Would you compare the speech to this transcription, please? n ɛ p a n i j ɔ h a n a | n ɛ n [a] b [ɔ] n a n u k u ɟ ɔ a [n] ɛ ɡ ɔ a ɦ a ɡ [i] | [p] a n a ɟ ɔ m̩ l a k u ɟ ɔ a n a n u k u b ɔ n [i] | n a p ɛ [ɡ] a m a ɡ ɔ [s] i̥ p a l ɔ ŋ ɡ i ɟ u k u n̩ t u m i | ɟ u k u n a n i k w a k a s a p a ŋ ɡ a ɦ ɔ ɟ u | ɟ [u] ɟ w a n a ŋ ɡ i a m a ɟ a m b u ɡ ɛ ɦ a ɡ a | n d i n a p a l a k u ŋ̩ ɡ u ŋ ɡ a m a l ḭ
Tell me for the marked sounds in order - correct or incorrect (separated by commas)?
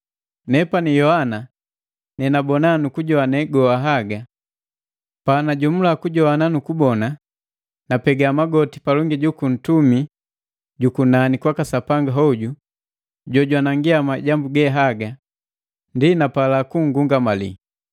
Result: correct, correct, correct, incorrect, correct, incorrect, correct, incorrect, incorrect